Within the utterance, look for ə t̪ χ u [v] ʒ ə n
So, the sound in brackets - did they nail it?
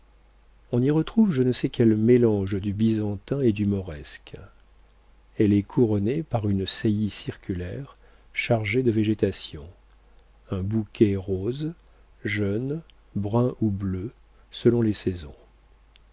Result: yes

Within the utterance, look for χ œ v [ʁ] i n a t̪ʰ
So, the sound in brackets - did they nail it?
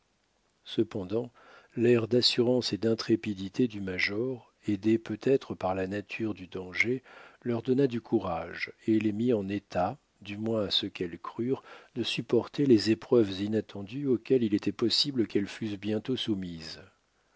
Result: no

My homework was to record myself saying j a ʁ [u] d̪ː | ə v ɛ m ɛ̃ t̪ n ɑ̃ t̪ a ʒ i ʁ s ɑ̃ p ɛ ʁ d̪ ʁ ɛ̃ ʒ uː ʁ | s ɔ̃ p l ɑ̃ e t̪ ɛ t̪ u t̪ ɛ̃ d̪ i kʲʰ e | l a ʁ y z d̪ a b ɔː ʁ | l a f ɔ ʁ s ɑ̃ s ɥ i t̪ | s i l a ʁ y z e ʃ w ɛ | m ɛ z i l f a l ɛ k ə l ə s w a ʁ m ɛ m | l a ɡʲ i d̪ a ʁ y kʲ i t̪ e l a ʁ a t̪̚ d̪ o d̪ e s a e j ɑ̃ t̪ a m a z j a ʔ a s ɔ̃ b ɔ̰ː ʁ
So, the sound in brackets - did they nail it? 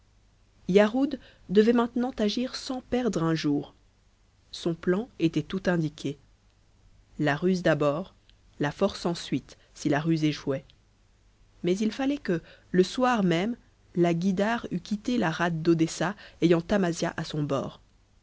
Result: yes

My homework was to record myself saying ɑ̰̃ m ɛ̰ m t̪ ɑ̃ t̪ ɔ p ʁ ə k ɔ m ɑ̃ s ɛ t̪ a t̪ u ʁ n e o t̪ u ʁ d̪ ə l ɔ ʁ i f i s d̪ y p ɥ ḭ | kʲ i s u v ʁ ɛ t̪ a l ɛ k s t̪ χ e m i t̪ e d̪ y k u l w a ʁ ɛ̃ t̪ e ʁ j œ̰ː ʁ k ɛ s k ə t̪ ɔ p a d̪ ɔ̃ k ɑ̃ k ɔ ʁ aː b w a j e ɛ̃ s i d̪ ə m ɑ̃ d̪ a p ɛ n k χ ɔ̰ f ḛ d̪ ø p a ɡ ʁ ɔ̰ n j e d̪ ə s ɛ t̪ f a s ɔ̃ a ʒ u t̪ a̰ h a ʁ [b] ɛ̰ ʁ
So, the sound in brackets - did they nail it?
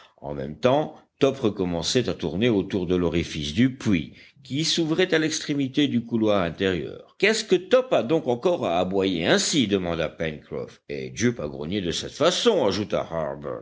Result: yes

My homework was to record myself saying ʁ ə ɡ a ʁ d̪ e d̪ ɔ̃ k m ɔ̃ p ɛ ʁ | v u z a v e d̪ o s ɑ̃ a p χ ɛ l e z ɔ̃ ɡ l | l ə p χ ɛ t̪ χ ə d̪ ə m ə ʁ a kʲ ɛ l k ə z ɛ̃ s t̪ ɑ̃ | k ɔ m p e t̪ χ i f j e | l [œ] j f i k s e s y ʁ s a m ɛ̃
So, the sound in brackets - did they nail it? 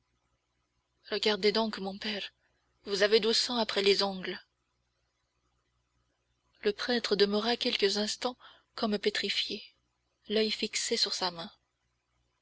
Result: yes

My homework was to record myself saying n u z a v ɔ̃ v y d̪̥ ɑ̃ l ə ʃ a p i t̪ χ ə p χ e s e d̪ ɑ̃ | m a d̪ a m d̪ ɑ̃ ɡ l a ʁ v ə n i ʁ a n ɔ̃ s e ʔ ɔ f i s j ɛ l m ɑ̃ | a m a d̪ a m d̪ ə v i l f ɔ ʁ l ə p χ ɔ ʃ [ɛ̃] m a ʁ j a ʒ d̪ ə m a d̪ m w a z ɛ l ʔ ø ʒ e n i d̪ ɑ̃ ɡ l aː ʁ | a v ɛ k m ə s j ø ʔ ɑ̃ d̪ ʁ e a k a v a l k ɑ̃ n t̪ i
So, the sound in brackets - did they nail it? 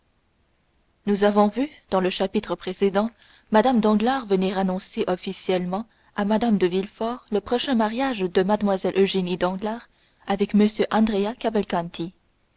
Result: yes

